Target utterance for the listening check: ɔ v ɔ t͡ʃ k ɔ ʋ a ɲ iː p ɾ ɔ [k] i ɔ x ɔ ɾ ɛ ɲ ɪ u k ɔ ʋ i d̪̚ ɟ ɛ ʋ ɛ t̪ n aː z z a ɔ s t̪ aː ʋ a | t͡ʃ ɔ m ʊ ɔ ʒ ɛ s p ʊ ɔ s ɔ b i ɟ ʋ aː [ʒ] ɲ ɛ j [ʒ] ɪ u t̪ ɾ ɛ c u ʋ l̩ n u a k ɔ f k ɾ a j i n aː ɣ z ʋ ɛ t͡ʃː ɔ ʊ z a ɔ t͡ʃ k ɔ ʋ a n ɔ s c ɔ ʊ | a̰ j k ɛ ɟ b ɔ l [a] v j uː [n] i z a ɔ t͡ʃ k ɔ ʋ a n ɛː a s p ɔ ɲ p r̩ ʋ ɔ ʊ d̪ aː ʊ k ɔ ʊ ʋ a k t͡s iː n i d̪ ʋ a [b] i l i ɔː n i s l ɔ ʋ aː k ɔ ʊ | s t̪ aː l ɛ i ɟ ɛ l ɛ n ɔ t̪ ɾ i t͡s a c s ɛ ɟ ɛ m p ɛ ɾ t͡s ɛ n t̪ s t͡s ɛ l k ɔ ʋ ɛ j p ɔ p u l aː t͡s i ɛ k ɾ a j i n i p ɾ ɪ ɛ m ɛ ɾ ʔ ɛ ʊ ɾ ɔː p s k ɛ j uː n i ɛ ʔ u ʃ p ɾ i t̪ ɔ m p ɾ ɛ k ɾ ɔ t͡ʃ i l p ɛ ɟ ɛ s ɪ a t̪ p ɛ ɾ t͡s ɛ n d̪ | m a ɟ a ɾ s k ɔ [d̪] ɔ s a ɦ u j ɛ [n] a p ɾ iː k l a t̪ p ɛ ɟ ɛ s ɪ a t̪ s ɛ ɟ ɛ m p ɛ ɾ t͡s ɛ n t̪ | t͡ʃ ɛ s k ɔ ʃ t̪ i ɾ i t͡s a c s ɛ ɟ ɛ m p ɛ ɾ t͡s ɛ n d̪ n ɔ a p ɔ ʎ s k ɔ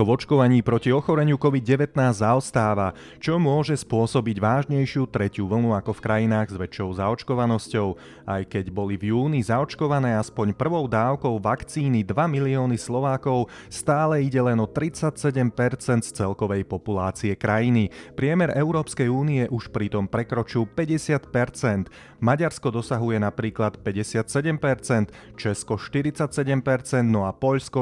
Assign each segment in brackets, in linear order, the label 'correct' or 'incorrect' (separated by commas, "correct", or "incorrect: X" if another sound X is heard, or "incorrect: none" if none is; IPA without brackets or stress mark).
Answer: incorrect: c, correct, incorrect: ʃ, incorrect: i, correct, incorrect: m, correct, correct